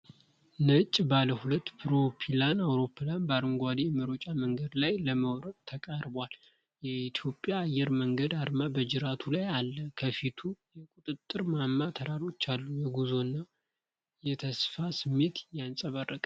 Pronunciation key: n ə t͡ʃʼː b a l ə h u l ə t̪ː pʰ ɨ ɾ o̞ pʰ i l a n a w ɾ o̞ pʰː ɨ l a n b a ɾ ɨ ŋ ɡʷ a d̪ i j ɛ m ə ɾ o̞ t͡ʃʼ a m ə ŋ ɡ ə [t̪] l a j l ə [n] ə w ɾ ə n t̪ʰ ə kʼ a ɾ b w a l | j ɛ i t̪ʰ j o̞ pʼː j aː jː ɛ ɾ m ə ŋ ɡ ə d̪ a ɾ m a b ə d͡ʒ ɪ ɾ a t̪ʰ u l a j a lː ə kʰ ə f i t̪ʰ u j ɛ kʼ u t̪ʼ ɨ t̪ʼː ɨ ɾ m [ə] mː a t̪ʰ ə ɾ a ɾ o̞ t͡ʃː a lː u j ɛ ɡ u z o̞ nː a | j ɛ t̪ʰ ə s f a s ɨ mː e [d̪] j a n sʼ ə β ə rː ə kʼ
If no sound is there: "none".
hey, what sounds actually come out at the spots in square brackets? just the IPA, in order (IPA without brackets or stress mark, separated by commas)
d̪, m, a, t̪